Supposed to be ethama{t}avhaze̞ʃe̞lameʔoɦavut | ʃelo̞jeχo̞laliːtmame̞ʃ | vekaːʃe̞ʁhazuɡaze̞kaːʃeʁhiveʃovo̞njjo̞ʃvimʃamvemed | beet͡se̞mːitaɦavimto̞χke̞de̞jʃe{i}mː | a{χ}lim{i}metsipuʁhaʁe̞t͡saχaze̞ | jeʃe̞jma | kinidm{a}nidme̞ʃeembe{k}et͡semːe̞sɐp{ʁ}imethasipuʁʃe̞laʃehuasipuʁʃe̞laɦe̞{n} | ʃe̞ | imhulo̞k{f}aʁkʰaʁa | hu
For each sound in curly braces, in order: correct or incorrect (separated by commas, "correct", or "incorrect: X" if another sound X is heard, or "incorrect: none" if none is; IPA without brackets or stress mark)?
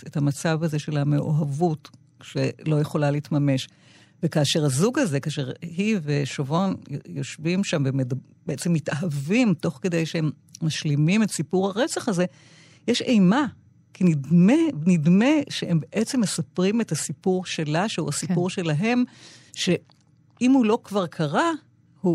incorrect: t͡s, incorrect: e, incorrect: ʃ, correct, incorrect: e, incorrect: ʔ, correct, incorrect: m, incorrect: v